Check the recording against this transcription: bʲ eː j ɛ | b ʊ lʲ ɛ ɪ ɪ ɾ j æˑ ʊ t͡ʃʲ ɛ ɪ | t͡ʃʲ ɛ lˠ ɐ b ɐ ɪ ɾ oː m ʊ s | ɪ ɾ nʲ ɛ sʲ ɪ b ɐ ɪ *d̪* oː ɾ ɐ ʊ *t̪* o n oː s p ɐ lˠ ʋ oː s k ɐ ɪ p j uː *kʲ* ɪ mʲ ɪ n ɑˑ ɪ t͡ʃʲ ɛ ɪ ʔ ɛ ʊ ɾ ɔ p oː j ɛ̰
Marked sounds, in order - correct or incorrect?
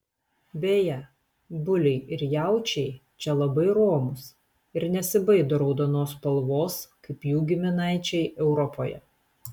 correct, incorrect: d̪, incorrect: ɡʲ

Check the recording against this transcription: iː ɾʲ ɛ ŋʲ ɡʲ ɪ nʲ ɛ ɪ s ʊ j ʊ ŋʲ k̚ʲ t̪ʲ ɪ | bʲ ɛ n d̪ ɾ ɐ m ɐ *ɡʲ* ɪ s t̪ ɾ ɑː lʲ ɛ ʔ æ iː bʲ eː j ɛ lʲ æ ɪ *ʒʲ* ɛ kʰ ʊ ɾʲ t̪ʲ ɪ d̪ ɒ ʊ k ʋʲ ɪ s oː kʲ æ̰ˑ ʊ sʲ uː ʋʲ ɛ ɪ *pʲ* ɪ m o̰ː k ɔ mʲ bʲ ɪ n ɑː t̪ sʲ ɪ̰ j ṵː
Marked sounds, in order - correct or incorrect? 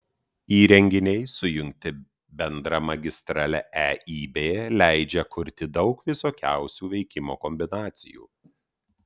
correct, incorrect: d͡ʒʲ, incorrect: kʲ

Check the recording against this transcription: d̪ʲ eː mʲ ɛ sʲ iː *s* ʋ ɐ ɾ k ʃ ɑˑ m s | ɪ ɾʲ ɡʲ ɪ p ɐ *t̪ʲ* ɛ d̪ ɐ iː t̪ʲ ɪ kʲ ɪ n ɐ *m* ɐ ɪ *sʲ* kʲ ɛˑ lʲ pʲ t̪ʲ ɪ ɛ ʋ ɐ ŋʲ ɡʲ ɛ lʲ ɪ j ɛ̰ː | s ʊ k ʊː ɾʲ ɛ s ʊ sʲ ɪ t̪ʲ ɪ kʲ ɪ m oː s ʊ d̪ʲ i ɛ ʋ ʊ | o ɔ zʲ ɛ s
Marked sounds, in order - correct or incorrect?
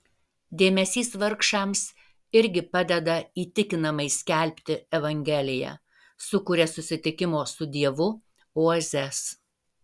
correct, incorrect: d̪ʲ, correct, correct

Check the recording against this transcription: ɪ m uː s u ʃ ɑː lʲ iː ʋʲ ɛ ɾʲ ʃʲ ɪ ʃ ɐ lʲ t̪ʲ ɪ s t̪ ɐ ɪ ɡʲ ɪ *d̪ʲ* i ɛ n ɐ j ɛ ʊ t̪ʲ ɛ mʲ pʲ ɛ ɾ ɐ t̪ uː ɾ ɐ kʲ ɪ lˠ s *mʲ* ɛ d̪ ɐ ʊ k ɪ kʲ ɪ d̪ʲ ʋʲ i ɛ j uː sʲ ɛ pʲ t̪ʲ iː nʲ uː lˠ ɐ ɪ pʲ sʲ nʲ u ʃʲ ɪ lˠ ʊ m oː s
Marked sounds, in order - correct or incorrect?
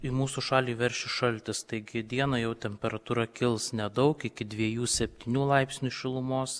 correct, incorrect: nʲ

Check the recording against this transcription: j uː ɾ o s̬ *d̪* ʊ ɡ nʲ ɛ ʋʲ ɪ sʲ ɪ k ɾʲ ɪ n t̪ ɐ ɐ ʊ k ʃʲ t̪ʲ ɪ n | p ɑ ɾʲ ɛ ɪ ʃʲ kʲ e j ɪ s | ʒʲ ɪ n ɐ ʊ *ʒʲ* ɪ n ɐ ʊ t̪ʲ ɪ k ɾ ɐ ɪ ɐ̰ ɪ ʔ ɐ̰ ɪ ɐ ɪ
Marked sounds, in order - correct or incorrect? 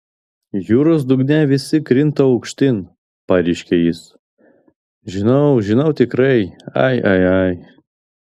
correct, correct

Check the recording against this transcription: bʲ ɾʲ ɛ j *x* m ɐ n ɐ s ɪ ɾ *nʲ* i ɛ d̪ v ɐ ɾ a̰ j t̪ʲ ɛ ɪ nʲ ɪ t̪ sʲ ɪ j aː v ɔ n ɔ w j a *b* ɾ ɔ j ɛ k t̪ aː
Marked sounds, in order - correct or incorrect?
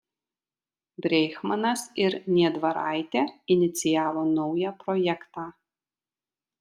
correct, correct, incorrect: p

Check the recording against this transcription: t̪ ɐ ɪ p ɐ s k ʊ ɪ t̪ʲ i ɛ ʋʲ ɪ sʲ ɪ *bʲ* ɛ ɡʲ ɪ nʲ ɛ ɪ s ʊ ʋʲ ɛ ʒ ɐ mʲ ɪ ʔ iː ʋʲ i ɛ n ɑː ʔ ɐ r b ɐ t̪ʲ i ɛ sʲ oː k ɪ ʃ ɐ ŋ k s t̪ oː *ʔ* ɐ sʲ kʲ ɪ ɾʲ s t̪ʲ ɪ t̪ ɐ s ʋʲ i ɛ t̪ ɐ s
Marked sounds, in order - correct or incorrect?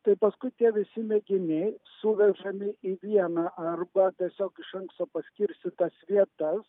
incorrect: mʲ, incorrect: p

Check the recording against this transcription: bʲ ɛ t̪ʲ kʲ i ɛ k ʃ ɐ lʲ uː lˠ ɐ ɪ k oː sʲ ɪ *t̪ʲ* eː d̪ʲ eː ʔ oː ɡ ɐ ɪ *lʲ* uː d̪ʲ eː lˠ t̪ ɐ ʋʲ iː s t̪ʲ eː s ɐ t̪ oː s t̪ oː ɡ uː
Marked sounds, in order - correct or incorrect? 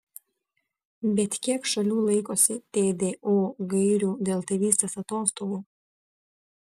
correct, incorrect: ɾʲ

